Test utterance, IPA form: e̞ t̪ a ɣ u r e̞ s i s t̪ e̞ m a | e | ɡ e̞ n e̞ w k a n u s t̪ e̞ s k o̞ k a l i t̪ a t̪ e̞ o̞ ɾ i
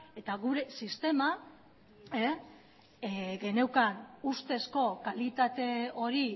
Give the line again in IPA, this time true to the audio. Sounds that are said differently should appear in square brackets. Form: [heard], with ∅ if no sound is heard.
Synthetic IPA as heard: e̞ t̪ a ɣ u [ɾ] e̞ s i s t̪ e̞ m a | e | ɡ e̞ n e̞ w k a n u s t̪ e̞ s k o̞ k a l i t̪ a t̪ e̞ o̞ ɾ i